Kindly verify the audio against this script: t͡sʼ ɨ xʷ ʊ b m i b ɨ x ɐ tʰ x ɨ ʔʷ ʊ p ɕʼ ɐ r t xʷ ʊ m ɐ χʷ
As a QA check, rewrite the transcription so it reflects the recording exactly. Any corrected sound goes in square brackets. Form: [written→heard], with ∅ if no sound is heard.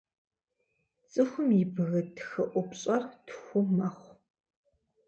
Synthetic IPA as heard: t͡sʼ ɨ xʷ ʊ [b→∅] m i b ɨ [x→ɣ] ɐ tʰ x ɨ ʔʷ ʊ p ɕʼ ɐ r t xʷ ʊ m ɐ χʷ